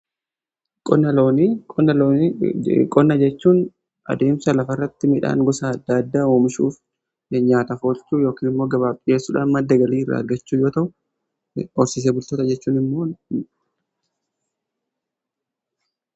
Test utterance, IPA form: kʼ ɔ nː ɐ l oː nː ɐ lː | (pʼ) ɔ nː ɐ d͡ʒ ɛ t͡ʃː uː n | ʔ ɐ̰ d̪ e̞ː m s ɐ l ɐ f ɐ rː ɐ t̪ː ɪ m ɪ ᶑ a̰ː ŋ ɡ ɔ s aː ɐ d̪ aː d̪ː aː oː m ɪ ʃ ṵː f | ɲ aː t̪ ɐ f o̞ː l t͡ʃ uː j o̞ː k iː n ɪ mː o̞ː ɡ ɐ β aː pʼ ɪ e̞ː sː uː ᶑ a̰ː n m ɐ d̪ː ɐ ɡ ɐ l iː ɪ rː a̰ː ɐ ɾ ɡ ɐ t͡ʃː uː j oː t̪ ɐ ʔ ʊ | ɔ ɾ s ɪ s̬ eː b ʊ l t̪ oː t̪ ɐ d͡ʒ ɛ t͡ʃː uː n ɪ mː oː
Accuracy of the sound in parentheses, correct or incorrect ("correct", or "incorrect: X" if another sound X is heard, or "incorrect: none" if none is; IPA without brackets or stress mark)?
incorrect: kʼ